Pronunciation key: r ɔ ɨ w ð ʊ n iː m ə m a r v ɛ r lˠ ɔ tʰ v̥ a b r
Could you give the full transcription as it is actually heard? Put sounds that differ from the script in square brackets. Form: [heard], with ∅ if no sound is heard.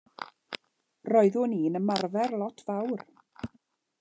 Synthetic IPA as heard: r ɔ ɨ [∅] ð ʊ n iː [n] ə m a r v ɛ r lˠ ɔ tʰ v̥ a [w] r